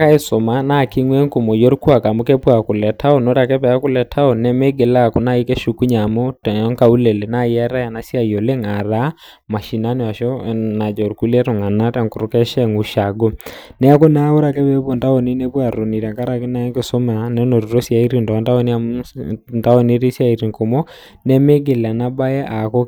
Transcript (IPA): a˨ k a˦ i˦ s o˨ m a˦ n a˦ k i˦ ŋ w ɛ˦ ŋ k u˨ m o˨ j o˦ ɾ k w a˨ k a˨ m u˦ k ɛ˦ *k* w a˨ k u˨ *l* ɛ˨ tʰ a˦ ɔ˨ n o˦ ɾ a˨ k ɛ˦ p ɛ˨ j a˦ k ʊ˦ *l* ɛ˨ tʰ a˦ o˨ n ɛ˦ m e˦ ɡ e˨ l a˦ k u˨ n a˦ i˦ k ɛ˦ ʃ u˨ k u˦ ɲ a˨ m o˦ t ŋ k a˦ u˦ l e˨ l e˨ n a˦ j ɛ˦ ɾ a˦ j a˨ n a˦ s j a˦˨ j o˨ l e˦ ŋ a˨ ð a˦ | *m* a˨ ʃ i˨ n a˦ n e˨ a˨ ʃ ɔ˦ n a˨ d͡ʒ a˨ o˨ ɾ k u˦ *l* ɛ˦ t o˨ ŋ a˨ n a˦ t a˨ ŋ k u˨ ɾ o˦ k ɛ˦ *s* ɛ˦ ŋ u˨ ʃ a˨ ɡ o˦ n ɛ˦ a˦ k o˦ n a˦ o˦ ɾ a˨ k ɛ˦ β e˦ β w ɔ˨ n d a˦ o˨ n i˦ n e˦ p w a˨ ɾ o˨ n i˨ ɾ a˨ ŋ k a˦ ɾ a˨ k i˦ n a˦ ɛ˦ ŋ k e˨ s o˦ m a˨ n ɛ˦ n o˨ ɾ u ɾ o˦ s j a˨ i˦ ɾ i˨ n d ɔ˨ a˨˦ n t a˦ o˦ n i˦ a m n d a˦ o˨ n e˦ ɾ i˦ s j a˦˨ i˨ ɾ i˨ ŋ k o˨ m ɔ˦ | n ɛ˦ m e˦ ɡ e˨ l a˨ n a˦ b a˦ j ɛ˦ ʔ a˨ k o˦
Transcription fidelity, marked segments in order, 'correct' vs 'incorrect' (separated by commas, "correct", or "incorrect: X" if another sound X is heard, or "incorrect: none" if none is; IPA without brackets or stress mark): incorrect: p, correct, correct, correct, correct, incorrect: ʃ